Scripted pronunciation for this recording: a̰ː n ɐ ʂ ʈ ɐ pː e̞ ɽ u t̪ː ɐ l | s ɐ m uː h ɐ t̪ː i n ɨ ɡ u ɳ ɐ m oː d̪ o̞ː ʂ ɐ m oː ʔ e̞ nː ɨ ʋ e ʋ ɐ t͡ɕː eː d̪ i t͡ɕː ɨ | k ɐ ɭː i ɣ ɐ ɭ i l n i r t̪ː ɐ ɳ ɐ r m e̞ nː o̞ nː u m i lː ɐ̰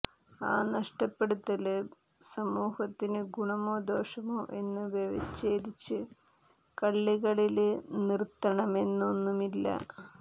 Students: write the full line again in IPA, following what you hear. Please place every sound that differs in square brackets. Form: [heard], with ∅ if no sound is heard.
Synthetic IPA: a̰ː n ɐ ʂ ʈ ɐ pː e̞ ɽ u t̪ː ɐ l | s ɐ m uː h ɐ t̪ː i n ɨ ɡ u ɳ ɐ m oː d̪ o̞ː ʂ ɐ m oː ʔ e̞ nː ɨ ʋ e ʋ ɐ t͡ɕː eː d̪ i t͡ɕː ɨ | k ɐ ɭː i ɣ ɐ ɭ i l n i r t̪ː ɐ ɳ ɐ [∅] m e̞ nː o̞ nː u m i lː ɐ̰